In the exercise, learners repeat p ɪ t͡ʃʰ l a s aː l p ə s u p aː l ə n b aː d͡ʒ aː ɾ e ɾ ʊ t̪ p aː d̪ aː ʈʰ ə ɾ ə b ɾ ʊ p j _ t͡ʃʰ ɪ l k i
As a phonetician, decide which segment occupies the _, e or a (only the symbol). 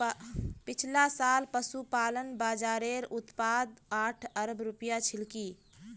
a